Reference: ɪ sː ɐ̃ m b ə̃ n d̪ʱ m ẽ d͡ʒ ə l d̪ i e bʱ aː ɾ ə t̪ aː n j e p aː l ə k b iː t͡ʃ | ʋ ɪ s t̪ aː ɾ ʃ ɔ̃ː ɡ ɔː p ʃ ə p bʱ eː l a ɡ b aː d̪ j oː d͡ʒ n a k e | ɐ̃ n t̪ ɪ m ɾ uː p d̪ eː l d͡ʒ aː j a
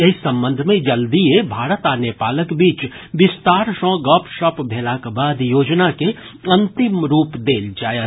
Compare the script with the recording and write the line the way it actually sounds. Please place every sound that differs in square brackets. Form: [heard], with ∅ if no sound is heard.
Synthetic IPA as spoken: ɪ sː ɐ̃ m b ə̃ n d̪ʱ m ẽ d͡ʒ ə l d̪ i e bʱ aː ɾ ə t̪ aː n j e p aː l ə k b iː t͡ʃ | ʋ ɪ s t̪ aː ɾ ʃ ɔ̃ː ɡ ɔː p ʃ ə p bʱ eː l a [k] b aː d̪ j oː d͡ʒ n a k e | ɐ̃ n t̪ ɪ m ɾ uː p d̪ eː l d͡ʒ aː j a